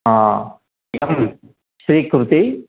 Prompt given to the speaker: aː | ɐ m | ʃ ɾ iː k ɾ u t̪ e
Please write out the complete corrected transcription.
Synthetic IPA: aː | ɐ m | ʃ ɾ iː k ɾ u t̪ i